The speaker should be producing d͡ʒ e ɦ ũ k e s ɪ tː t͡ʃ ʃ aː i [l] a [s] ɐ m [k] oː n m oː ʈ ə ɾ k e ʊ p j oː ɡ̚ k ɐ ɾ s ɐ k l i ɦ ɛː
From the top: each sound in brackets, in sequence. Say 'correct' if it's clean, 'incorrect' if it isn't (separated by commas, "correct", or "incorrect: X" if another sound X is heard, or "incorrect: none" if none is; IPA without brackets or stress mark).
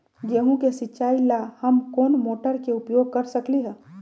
correct, incorrect: h, correct